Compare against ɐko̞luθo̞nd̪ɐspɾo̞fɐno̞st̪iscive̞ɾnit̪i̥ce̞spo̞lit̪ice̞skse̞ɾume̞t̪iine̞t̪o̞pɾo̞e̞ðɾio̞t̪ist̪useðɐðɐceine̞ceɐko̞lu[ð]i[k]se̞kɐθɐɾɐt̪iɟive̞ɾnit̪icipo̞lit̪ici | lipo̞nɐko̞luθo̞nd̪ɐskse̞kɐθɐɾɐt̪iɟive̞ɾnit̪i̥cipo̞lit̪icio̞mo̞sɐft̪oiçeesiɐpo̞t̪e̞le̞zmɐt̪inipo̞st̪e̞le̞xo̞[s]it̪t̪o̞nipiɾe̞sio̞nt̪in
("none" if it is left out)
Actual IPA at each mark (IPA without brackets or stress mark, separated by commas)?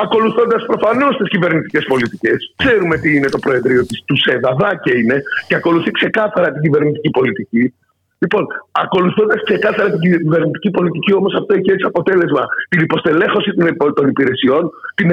θ, k, s